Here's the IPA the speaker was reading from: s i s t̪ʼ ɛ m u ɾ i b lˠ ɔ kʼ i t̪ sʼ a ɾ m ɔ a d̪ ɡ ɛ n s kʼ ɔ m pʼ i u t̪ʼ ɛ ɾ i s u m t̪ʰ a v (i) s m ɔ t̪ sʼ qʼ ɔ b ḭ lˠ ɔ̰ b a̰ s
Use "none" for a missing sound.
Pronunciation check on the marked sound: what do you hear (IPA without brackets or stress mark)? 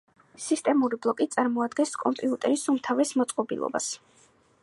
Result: ɛ